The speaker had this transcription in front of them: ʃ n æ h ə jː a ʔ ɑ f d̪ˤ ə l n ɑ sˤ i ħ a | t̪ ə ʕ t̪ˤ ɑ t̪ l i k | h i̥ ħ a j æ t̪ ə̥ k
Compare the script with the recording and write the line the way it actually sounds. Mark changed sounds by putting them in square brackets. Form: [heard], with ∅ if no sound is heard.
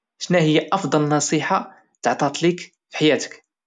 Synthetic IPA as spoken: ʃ n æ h ə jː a ʔ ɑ f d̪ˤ [ɑ] l n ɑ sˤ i ħ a | t̪ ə ʕ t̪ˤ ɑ t̪ l i k | [f] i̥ ħ a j æ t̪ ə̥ k